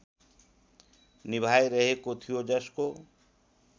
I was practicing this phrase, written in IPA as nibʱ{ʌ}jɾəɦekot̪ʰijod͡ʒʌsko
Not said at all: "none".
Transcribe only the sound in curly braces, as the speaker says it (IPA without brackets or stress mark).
a